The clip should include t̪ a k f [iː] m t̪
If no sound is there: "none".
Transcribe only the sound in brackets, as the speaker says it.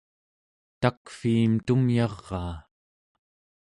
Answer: iː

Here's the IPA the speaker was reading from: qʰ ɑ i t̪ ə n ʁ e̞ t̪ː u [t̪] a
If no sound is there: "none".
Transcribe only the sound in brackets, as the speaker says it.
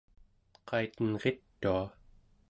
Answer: none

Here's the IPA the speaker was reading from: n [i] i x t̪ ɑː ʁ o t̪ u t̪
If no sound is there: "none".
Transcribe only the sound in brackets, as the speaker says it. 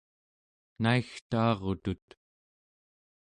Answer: a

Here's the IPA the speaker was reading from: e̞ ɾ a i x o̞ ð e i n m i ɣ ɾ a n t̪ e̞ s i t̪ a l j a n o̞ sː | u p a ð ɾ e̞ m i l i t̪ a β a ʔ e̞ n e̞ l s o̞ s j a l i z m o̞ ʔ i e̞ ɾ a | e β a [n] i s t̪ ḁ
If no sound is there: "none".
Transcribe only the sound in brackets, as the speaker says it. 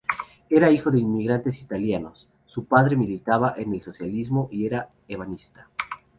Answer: n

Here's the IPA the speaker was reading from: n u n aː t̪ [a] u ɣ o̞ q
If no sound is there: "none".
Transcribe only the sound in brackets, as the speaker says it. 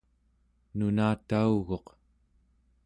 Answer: a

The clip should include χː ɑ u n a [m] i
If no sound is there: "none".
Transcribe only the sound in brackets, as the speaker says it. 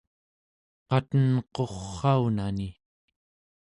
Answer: n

